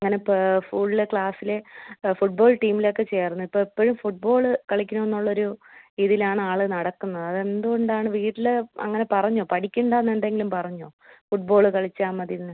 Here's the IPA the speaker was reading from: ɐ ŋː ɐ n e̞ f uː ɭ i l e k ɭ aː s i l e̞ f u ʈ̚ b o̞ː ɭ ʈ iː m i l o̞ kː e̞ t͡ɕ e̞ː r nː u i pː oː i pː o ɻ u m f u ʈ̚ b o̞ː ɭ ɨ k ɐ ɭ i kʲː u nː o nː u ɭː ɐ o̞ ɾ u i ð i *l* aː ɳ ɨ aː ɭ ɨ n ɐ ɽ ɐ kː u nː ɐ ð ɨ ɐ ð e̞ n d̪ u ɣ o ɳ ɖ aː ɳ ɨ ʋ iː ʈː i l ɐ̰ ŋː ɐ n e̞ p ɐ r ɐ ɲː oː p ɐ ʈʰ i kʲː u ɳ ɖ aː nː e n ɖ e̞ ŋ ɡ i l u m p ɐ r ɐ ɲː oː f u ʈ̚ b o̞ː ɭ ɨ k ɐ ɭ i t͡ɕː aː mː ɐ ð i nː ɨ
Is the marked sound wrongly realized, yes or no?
no